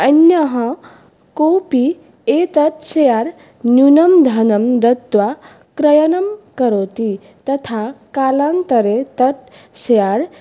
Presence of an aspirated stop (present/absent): present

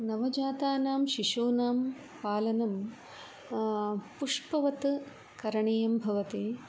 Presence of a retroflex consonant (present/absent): present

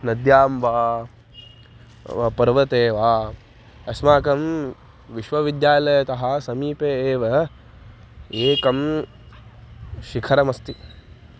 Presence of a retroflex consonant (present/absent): absent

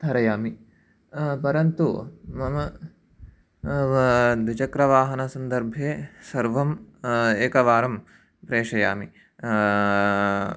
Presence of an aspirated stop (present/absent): absent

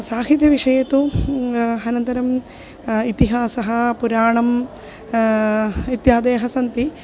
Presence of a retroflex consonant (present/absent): present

